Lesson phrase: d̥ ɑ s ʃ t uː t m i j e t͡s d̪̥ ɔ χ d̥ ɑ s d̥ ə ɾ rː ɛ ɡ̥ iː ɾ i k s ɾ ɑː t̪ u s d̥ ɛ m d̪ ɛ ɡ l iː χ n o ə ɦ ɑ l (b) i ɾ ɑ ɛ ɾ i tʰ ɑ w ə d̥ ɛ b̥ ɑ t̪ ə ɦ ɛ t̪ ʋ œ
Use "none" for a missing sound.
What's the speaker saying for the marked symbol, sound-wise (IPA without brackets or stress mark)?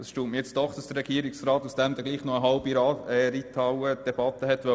b